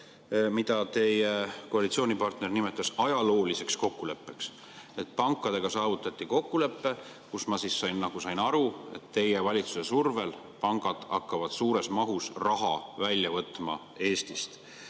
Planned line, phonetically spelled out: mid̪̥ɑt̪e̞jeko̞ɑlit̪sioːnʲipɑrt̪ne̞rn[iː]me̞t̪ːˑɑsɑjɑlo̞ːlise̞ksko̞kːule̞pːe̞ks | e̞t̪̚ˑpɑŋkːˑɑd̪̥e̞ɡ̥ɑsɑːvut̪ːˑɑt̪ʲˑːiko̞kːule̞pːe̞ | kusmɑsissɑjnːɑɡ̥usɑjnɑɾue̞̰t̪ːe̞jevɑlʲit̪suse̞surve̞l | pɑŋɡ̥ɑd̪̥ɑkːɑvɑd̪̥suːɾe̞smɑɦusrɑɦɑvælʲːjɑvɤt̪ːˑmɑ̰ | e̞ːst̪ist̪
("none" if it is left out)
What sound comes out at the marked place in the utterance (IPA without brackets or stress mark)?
i